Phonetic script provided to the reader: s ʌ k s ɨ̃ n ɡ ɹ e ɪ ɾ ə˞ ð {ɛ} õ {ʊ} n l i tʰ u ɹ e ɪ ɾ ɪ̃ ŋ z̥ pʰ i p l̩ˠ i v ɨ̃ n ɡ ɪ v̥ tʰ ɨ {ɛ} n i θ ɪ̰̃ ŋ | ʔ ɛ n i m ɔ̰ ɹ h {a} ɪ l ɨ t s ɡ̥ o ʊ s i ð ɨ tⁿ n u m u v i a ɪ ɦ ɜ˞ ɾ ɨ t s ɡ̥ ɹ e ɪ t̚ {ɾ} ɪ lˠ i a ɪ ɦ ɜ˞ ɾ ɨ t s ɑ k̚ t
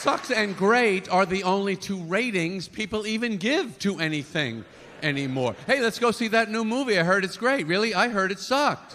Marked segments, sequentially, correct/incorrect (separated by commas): incorrect, incorrect, correct, incorrect, incorrect